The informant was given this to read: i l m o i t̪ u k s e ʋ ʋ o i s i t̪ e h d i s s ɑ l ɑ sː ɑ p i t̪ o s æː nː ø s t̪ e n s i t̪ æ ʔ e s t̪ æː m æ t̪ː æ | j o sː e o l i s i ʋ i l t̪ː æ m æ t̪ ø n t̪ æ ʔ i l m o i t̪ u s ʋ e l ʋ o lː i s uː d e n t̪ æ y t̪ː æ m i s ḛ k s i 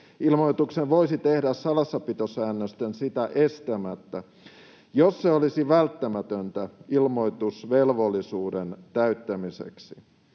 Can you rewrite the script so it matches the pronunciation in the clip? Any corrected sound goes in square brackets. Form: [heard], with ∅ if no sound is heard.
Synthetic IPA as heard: i l m o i t̪ u k s e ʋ ʋ o i s i t̪ e h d [æ] s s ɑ l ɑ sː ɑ p i t̪ o s æː nː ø s t̪ e n s i t̪ æ ʔ e s t̪ [æ] m æ t̪ː æ | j o sː e o l i s i ʋ [æ] l t̪ː æ m æ t̪ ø n t̪ æ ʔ i l m o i t̪ u s ʋ e l ʋ o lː i s uː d e n t̪ æ y t̪ː æ m i s ḛ k s i